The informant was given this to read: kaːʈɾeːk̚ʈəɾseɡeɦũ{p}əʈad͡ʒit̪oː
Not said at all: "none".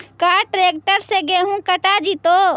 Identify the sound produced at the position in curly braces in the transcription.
k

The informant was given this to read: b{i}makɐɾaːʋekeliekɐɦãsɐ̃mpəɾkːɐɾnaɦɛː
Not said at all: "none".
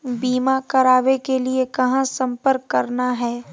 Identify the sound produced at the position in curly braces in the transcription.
iː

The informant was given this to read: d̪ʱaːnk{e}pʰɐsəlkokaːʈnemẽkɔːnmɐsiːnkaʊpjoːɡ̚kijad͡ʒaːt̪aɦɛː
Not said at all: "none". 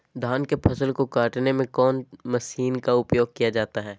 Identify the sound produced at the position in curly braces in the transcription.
e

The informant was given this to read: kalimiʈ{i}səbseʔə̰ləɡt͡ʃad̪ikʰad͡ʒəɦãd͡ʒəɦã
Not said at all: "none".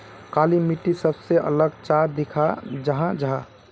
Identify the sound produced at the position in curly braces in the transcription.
i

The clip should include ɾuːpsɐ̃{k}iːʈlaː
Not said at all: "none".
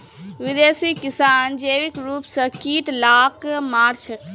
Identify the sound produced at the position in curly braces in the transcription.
k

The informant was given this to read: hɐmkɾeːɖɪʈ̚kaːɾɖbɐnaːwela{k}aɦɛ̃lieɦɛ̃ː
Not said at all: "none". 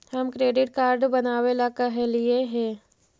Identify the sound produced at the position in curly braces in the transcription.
k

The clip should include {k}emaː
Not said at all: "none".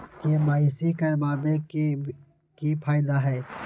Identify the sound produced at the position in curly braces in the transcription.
k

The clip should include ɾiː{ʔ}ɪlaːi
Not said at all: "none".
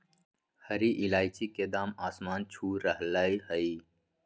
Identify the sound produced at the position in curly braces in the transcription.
ʔ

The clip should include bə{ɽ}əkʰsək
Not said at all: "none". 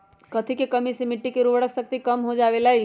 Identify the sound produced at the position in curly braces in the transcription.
ɽ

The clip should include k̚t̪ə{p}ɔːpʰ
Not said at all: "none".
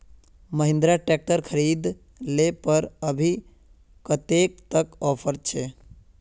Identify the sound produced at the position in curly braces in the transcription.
k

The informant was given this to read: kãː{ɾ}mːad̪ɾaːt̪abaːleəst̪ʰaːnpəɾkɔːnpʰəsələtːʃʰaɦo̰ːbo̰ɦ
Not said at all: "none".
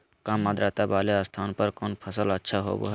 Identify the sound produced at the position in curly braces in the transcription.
none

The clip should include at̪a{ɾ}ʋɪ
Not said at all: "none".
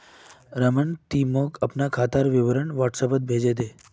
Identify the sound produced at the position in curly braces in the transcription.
ɾ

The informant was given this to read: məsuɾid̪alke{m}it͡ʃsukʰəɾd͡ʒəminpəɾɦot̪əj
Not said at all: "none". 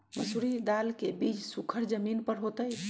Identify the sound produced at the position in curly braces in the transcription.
b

